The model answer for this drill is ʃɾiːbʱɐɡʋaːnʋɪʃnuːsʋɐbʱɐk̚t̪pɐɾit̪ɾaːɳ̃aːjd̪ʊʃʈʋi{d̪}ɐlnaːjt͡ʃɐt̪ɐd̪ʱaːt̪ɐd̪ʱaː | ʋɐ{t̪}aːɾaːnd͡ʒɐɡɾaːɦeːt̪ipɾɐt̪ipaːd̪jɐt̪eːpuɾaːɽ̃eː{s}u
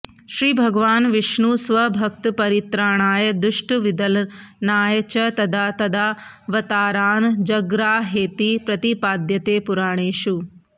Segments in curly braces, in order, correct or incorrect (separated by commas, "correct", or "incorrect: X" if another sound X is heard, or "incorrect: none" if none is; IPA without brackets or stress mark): correct, correct, incorrect: ʃ